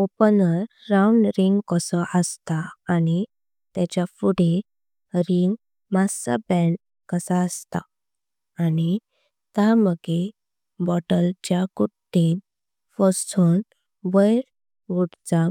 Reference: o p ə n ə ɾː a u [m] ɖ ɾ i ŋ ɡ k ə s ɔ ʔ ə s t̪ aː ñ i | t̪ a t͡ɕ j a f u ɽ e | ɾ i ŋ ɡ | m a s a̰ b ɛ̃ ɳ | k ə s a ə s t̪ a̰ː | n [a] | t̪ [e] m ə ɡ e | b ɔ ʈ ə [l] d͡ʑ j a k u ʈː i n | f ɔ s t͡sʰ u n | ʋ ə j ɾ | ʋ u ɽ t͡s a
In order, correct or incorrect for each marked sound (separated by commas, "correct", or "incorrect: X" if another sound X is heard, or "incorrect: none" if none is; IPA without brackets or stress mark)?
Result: incorrect: ɳ, incorrect: i, incorrect: a, correct